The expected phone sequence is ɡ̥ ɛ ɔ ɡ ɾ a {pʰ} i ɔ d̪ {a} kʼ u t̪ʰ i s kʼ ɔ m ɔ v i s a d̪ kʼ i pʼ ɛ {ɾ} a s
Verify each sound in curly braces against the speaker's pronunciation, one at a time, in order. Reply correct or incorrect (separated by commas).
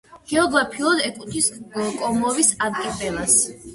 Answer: correct, incorrect, incorrect